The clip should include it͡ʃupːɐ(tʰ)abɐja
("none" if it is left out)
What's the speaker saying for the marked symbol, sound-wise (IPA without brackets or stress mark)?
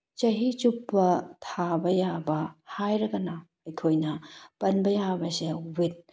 tʰ